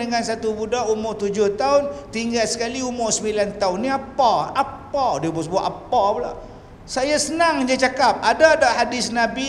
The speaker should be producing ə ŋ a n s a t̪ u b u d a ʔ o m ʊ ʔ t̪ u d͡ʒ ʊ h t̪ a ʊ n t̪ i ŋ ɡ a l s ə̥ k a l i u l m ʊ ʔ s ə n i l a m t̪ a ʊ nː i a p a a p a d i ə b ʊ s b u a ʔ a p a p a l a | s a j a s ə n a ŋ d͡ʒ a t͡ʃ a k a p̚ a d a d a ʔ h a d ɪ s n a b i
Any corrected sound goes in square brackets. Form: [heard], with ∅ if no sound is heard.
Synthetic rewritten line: ə ŋ a n s a t̪ u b u d a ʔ [u] m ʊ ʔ t̪ u d͡ʒ ʊ h t̪ a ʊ n t̪ i ŋ ɡ a l s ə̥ k a l i u [∅] m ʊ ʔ s ə [m] i l a [n] t̪ a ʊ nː i a p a a p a d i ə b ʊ s b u a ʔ a p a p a l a | s a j a s ə n a ŋ d͡ʒ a t͡ʃ a k a p̚ a d a d a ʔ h a d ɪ s n a b i